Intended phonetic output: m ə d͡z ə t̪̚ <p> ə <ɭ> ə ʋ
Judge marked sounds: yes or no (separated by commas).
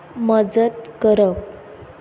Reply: no, no